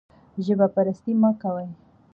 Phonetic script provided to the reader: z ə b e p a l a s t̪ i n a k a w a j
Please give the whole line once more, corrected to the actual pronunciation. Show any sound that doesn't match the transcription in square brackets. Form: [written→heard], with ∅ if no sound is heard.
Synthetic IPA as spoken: [z→ʒ] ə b [e→a] p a [l→ɾ] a s t̪ i [n→m] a k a w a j